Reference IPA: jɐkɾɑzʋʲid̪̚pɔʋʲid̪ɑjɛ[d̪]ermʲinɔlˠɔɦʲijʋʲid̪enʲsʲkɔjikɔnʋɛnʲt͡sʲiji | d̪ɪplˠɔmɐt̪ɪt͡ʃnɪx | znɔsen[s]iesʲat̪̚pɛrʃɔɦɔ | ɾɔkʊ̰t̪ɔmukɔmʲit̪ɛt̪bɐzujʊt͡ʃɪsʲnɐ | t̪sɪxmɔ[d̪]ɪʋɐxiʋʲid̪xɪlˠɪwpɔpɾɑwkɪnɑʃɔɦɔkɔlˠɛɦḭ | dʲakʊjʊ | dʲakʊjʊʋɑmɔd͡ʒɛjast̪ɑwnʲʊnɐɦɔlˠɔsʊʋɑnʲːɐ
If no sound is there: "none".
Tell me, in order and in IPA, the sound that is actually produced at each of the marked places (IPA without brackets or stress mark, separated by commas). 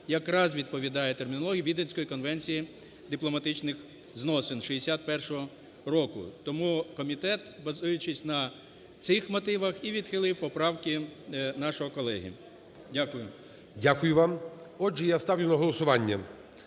t̪, ʃ, t̪